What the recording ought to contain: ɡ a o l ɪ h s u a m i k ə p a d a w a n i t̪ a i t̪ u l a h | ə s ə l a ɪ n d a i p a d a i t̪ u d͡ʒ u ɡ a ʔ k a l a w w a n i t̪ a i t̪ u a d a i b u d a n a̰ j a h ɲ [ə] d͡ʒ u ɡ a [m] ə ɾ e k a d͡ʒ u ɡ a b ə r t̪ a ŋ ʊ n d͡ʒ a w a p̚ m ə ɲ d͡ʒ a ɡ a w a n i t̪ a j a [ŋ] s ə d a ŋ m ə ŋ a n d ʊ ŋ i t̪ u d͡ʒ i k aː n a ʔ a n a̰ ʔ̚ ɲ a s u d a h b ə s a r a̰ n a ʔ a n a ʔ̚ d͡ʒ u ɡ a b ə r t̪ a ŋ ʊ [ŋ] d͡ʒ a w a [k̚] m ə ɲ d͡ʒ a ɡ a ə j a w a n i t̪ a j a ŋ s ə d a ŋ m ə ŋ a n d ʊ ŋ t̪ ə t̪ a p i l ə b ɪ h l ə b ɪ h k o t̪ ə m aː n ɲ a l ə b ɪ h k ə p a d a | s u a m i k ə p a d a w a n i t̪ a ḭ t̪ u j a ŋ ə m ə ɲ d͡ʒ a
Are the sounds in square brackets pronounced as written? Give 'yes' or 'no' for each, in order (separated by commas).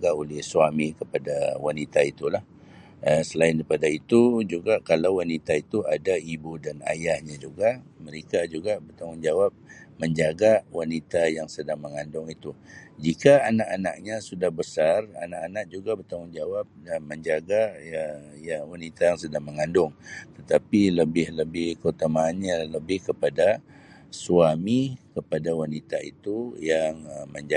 no, yes, yes, no, no